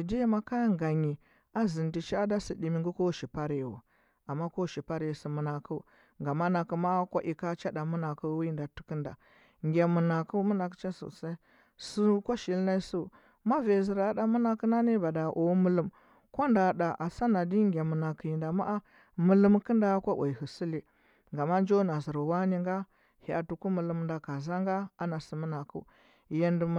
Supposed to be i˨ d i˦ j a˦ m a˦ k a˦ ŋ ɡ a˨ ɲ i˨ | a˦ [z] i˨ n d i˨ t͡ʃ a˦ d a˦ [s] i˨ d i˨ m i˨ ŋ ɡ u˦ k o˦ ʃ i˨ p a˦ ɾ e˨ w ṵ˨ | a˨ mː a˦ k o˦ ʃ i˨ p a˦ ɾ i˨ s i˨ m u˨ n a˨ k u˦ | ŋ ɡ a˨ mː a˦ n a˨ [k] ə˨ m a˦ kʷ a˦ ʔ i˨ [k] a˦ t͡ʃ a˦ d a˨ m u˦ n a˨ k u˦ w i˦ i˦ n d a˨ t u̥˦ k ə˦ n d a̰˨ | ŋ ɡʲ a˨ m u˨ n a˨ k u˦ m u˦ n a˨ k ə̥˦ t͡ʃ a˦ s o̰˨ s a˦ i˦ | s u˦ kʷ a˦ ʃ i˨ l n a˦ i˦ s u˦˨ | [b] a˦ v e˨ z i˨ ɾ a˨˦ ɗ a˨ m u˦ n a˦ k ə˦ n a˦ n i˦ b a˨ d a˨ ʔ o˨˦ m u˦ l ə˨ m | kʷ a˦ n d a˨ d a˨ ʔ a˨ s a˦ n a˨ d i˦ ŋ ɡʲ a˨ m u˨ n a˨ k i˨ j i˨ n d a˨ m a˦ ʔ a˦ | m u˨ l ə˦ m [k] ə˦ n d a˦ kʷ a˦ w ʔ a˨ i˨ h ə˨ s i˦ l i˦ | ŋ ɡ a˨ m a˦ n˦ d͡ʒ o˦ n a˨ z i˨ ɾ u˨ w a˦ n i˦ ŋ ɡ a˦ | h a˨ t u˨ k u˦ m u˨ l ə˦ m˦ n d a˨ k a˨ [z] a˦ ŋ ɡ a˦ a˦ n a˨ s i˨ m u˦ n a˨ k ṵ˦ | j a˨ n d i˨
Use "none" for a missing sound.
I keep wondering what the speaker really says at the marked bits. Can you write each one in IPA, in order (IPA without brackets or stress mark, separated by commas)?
z, s, k, k, m, k, z